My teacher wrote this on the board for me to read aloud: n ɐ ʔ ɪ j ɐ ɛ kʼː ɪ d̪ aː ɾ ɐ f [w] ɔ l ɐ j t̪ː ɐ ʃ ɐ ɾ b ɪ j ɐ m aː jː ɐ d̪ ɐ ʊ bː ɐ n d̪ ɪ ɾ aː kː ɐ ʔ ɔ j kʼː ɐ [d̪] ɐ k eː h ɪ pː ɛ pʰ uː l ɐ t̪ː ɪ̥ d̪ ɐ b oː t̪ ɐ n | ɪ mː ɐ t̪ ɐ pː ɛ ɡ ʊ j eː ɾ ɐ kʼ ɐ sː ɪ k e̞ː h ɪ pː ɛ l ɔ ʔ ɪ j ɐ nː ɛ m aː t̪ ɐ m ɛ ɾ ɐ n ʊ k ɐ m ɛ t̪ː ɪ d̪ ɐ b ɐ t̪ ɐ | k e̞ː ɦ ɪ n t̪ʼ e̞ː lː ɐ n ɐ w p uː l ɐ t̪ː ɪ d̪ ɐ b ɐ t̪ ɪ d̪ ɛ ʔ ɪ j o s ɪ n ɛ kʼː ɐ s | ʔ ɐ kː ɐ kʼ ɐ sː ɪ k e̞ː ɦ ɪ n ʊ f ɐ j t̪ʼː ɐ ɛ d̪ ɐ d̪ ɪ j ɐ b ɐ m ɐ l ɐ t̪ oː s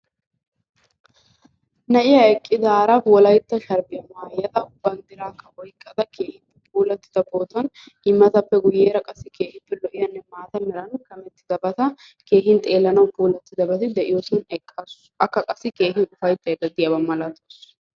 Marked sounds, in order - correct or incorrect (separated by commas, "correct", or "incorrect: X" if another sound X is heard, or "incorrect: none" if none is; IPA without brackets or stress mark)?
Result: correct, correct